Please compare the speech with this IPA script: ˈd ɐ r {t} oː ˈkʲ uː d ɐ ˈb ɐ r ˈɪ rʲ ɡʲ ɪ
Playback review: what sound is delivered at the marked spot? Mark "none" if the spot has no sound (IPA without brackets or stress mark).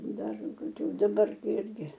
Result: k